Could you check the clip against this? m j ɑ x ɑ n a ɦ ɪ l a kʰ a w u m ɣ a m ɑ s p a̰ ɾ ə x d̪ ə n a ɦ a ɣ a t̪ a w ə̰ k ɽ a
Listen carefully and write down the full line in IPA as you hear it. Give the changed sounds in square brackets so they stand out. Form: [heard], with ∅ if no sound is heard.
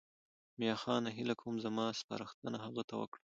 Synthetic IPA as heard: m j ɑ x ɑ n a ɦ ɪ l a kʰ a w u m [z] a m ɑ s p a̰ ɾ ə x [t̪] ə n a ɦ a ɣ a t̪ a w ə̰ k ɽ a